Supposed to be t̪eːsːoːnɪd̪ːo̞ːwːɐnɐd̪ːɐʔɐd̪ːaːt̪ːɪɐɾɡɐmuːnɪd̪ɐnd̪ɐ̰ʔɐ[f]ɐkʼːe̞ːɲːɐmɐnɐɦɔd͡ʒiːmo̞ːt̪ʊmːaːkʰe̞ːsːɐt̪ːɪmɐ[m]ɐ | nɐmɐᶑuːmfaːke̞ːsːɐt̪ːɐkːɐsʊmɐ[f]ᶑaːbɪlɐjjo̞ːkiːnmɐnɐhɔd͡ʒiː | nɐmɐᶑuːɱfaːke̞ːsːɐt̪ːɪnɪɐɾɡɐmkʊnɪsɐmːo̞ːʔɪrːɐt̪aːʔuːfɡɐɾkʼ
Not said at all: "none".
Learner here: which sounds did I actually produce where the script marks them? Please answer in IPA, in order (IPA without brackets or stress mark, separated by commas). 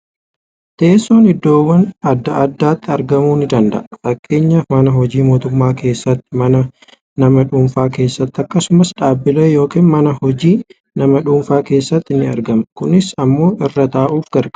f, n, s